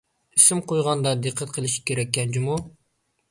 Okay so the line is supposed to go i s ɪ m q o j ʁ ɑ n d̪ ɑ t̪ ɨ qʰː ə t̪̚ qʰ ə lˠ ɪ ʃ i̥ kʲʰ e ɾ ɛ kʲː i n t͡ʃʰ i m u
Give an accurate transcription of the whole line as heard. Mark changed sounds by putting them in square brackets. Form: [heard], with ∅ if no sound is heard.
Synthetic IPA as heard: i s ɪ m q o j ʁ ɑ n d̪ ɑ [d̪] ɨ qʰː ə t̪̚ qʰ ə lˠ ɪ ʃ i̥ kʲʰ e ɾ ɛ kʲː [ɛ] n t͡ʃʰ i m u